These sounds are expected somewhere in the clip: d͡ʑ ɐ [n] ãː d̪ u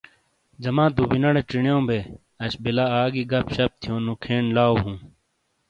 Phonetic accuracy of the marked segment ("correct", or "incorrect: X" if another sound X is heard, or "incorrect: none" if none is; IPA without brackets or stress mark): incorrect: m